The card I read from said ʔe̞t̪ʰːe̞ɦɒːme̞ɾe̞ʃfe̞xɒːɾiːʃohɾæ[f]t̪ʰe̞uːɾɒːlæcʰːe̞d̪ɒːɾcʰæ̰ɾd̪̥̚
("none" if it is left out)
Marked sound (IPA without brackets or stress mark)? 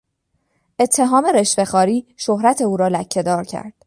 none